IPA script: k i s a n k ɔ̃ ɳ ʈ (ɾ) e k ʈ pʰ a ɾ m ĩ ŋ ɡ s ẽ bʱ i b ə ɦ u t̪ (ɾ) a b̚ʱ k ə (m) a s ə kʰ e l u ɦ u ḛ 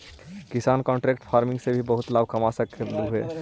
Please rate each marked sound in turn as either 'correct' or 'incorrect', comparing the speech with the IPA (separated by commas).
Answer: correct, incorrect, correct